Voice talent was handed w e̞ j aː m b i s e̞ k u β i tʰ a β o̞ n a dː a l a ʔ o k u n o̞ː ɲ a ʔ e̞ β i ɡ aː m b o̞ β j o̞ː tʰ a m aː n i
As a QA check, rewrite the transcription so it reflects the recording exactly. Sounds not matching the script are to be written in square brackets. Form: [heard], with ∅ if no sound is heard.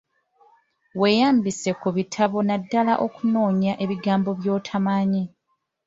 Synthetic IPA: w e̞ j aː m b i s e̞ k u β i tʰ a β o̞ n a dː a l a ʔ o k u n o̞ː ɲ a ʔ e̞ β i ɡ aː m b o̞ β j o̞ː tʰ a m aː [ɲ] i